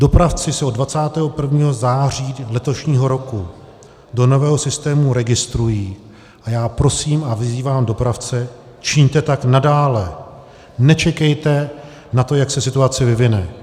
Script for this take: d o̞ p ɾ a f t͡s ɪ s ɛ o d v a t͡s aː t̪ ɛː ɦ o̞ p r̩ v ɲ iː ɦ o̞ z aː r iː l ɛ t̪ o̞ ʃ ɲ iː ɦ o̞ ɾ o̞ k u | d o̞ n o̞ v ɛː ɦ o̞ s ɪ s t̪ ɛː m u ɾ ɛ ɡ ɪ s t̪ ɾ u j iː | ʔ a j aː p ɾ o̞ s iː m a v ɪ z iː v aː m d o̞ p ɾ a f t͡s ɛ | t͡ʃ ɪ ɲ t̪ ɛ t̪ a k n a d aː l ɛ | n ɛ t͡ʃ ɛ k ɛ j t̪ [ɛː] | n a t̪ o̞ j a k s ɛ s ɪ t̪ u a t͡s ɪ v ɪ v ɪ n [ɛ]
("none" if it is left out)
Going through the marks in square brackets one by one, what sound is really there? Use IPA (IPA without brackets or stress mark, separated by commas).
ɛ, ɛ